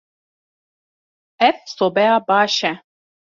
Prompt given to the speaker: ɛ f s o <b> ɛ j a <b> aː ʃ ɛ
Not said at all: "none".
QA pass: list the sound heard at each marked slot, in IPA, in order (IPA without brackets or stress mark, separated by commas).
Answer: b, b